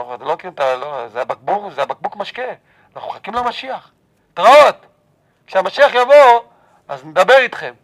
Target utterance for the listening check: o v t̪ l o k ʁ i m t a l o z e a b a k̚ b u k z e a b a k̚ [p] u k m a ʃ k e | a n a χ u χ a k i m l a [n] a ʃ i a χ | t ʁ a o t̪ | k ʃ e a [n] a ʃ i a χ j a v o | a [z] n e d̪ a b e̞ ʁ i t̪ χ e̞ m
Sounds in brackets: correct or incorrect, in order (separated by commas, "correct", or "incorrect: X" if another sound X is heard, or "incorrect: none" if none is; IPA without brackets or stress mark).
incorrect: b, incorrect: m, incorrect: m, correct